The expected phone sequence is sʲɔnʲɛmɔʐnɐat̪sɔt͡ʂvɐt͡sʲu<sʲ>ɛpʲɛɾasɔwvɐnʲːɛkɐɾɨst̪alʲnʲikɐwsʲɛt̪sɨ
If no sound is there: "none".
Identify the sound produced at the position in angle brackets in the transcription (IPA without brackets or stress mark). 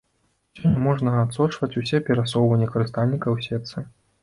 sʲ